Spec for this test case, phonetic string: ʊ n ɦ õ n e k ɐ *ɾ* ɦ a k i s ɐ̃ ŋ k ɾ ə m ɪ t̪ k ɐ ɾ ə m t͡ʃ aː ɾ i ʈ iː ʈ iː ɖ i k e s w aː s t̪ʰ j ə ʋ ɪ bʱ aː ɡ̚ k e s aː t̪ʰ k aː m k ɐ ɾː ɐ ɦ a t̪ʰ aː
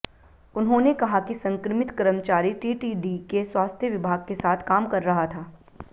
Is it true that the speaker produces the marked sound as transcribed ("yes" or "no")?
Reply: no